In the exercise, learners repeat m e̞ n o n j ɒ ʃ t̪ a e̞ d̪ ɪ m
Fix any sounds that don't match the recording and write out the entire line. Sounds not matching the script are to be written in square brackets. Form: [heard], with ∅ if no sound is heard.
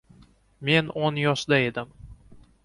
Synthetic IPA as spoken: m e̞ n o n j ɒ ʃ [d̪] a e̞ d̪ ɪ m